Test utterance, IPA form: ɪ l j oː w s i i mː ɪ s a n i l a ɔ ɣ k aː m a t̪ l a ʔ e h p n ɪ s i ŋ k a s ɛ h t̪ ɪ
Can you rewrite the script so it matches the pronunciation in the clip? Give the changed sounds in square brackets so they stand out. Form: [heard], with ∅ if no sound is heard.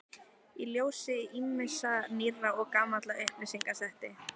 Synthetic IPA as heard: [i] l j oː w s [ɪ] i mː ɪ s a n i [r] a ɔ ɣ k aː m a t̪ l a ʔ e h p n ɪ s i ŋ k a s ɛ h t̪ ɪ